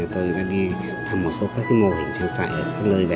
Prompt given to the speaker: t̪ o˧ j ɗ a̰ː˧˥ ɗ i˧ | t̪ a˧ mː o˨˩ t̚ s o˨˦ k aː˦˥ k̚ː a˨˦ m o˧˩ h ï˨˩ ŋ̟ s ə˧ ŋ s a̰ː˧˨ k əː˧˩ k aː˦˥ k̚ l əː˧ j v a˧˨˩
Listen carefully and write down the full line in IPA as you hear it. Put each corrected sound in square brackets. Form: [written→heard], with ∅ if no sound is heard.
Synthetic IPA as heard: t̪ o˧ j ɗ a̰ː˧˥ ɗ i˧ | [t̪→t̪ʰ] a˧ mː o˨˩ t̚ s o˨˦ k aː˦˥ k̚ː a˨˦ m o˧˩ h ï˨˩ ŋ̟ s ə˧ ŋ s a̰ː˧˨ [k→ʔ] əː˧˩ k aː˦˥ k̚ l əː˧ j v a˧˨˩